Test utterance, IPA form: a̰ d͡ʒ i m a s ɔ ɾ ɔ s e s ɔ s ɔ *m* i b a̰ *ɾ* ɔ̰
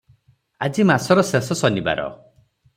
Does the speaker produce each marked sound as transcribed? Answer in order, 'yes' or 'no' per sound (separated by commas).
no, yes